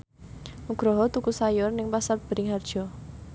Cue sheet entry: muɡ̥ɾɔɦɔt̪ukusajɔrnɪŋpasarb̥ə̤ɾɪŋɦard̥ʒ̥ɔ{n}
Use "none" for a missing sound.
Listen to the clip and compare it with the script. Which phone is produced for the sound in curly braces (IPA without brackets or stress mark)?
none